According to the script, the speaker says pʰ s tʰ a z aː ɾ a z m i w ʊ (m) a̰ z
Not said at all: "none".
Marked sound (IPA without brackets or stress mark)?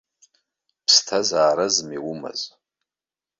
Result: m